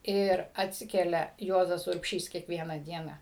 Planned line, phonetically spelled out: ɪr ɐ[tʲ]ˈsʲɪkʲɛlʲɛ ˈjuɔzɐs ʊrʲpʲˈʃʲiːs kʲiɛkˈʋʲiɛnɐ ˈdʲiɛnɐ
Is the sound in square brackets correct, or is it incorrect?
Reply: correct